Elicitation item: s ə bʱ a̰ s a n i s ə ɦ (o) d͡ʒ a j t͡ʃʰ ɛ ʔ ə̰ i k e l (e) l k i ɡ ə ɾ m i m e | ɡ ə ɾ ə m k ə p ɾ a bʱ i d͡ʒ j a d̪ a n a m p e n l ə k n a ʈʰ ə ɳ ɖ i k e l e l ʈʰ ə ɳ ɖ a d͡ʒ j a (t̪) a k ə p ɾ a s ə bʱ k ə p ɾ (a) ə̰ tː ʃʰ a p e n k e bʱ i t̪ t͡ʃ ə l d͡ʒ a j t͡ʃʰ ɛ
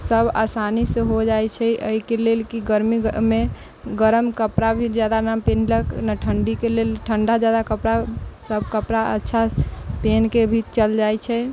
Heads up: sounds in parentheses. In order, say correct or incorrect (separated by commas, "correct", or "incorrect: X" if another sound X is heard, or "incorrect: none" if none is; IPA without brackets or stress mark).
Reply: correct, correct, incorrect: d̪, correct